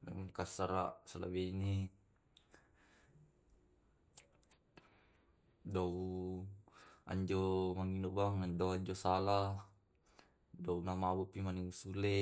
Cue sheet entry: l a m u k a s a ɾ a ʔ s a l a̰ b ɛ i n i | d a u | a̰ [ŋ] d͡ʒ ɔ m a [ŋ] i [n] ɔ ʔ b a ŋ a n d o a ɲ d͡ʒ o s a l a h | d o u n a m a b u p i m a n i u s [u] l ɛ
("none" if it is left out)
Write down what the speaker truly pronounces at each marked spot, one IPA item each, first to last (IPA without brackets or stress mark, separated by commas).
ɲ, ŋ, n, u